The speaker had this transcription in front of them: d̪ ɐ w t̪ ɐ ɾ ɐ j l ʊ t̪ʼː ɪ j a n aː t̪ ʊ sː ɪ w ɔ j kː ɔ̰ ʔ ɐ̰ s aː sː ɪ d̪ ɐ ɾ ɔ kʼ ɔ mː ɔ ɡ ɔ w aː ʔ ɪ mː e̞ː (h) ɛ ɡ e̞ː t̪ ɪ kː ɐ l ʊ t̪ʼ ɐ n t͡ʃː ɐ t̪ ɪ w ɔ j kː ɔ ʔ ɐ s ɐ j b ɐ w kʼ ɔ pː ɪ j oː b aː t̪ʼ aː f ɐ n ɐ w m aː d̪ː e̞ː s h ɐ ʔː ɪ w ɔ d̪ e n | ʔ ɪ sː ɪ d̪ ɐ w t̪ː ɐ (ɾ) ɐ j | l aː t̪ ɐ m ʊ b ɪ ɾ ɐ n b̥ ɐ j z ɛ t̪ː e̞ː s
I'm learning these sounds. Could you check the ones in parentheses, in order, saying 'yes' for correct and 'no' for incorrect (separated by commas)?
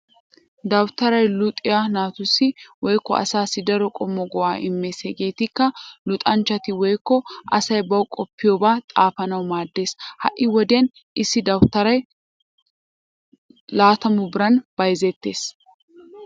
no, yes